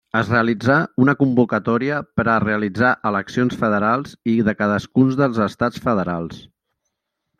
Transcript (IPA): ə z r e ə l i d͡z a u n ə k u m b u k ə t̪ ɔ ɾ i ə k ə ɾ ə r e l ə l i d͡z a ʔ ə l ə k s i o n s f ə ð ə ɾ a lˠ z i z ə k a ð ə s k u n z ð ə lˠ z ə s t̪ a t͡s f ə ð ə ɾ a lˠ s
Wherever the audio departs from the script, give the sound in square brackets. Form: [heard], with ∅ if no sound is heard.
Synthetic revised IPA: ə z r e ə l i d͡z a u n ə k u m b u k ə t̪ ɔ ɾ i ə [p] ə ɾ ə r e [∅] ə l i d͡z a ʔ ə l ə k s i o n s f ə ð ə ɾ a lˠ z i [ð] ə k a ð ə s k u n z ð ə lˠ z ə s t̪ a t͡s f ə ð ə ɾ a lˠ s